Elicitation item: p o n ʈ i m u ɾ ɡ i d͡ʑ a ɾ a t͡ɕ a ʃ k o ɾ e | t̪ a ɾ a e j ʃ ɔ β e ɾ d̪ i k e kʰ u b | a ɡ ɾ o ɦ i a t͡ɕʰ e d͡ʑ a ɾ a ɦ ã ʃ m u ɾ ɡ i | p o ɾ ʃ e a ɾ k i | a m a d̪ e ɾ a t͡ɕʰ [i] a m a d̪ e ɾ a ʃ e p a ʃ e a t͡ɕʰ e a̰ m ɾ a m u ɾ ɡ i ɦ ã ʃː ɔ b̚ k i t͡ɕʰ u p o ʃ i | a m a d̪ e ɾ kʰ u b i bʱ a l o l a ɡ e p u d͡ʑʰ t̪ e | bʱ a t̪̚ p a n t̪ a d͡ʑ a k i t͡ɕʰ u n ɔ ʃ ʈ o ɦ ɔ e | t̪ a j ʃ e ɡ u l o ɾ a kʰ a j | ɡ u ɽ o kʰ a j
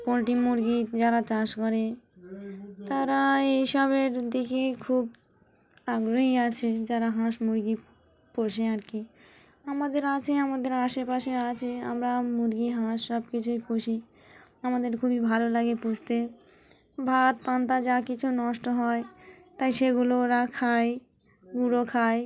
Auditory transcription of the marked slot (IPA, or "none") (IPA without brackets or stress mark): e